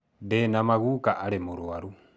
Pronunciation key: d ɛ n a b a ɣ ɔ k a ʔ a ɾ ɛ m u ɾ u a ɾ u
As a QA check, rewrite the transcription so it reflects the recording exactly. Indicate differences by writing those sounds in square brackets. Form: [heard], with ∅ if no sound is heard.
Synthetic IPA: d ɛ n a [m] a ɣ [u] k a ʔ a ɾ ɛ m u ɾ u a ɾ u